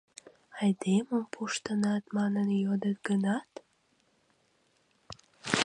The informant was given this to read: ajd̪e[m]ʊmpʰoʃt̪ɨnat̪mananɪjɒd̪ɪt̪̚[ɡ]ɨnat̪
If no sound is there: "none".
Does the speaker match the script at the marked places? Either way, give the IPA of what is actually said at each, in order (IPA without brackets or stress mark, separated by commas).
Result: m, ɡ